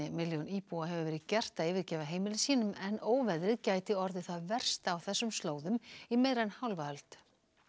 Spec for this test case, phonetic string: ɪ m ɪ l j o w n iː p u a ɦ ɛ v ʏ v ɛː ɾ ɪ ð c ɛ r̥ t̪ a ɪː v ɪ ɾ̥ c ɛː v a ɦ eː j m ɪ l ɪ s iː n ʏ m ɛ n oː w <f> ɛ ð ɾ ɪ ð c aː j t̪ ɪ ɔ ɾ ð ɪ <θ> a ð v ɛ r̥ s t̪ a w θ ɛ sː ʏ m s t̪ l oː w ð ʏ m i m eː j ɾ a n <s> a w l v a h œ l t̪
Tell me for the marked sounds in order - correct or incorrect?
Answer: incorrect: v, correct, incorrect: h

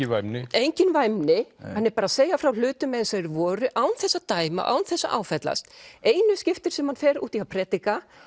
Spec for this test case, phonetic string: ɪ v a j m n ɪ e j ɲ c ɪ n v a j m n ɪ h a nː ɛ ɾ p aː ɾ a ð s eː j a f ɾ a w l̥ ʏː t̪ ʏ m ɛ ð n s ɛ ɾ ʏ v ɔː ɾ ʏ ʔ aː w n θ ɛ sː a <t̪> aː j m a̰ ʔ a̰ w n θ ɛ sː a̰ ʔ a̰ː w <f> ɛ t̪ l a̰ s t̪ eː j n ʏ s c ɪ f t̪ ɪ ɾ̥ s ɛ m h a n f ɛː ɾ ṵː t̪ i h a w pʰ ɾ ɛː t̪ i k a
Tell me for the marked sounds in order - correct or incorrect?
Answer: correct, correct

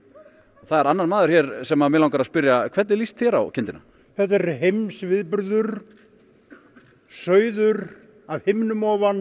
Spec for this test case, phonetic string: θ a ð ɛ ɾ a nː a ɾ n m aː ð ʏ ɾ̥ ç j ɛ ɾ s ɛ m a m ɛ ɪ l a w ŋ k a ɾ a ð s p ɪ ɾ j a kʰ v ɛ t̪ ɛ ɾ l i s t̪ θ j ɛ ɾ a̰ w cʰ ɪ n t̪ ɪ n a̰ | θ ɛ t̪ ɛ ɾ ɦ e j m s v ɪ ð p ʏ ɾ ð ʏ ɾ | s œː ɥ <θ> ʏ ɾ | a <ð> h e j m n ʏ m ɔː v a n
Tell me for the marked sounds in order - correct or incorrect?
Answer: incorrect: ð, incorrect: v

